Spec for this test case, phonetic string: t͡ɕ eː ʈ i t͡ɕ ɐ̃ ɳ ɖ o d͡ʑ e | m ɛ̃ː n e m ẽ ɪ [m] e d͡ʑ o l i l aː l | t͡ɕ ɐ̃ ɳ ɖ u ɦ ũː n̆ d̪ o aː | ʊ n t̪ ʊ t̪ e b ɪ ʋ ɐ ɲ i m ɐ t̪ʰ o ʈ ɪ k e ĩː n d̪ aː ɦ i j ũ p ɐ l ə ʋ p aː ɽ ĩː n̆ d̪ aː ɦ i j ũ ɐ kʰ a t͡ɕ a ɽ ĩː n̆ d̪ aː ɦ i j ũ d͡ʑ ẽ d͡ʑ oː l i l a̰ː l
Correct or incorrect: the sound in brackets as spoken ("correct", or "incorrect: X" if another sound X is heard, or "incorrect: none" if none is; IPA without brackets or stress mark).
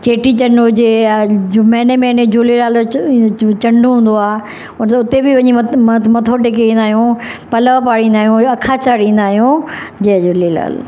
incorrect: n